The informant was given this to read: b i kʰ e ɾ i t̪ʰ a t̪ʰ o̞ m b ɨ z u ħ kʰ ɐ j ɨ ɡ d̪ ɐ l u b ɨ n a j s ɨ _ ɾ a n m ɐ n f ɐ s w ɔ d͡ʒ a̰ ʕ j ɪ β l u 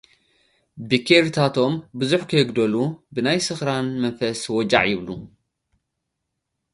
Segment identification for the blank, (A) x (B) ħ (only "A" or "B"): A